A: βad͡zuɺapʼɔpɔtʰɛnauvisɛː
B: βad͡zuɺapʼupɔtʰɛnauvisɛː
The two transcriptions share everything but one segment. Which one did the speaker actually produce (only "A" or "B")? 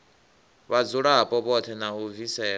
A